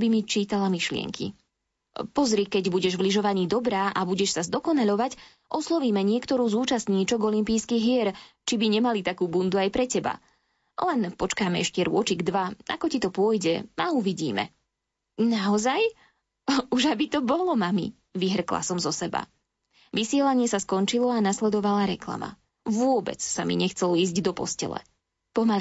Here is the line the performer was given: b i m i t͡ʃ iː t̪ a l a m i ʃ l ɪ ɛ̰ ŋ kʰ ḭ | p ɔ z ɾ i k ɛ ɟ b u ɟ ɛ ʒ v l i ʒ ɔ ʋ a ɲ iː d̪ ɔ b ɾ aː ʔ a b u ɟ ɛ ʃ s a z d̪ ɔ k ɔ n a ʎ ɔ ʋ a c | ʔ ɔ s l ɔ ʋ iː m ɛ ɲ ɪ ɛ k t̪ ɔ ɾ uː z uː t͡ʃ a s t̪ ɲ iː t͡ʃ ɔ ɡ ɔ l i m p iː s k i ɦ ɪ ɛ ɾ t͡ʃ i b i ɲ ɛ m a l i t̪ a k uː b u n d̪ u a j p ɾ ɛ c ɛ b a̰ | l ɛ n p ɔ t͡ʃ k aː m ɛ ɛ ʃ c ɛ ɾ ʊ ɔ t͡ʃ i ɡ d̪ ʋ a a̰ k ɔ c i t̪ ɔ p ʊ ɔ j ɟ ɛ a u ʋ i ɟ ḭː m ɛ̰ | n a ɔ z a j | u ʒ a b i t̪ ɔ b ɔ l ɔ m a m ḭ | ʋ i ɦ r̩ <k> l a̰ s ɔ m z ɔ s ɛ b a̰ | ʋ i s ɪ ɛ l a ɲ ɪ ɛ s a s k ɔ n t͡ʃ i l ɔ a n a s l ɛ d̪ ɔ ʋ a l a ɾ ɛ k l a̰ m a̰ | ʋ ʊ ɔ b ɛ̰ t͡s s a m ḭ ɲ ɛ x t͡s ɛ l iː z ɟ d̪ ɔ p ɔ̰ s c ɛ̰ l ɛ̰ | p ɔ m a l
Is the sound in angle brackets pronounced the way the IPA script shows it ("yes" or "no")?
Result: yes